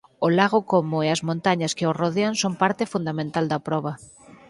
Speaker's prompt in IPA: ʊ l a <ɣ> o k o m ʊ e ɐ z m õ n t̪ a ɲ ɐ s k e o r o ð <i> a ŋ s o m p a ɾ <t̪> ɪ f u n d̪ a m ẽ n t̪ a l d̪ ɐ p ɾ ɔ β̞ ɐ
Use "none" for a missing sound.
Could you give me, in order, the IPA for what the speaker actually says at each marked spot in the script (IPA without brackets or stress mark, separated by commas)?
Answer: ɣ, e, t̪